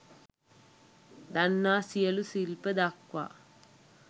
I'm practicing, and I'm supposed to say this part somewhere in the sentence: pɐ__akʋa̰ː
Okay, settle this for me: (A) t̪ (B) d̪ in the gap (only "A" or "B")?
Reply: B